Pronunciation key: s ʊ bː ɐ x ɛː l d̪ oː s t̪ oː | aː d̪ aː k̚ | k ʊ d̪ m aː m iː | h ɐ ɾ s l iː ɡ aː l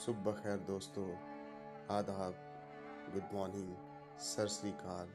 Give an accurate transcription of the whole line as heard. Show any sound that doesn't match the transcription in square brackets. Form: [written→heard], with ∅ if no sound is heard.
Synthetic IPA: s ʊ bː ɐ x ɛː [l→ɾ] d̪ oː s t̪ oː | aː d̪ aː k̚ | [k→ɡ] ʊ d̪ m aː [m→n] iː | [h→s] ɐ ɾ s l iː [ɡ→k] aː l